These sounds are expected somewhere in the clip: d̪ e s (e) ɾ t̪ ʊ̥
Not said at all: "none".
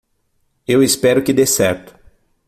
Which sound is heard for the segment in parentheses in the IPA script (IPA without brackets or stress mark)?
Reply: ɛ